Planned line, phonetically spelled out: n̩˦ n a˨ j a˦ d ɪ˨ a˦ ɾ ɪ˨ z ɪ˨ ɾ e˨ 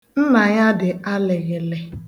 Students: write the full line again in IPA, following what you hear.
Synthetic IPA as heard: n̩˦ n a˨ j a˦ d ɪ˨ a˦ l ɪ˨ ɣ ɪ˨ l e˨